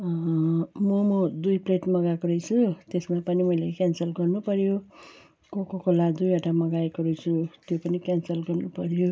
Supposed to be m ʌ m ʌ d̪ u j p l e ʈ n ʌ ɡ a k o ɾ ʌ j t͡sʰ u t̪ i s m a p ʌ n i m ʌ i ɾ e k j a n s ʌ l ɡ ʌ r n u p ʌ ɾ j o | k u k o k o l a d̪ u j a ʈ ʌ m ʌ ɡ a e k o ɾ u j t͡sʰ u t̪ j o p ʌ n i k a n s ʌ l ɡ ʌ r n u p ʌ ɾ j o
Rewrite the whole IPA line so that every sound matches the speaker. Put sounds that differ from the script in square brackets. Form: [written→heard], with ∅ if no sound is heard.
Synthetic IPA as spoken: m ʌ m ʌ d̪ u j p l e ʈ [n→m] ʌ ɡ a k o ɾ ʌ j t͡sʰ u t̪ [i→e] s m a p ʌ n i m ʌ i [ɾ→l] e k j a n s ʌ l ɡ ʌ r n u p ʌ ɾ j o | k [u→o] k o k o l a d̪ u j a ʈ [ʌ→a] m ʌ ɡ a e k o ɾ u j t͡sʰ u t̪ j o p ʌ n i k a n s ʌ l ɡ ʌ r n u p ʌ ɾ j o